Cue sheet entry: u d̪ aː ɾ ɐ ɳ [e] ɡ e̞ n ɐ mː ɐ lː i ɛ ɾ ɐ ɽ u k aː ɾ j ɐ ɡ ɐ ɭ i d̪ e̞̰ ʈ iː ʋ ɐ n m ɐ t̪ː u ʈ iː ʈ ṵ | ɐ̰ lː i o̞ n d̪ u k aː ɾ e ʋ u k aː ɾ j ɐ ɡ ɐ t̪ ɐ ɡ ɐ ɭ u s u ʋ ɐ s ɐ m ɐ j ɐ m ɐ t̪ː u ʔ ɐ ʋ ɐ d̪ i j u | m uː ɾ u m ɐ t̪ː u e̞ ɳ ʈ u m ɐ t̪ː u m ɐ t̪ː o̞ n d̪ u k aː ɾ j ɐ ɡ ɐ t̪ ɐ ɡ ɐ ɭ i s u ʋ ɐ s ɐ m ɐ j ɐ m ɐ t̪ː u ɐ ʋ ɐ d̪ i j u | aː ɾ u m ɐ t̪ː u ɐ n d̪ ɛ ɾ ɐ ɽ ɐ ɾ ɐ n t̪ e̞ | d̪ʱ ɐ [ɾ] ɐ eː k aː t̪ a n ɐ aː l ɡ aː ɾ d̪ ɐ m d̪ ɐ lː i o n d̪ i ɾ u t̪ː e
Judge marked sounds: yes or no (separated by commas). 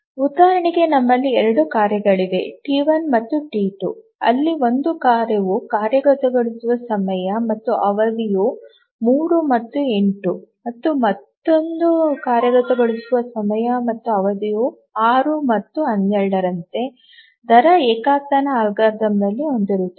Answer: no, yes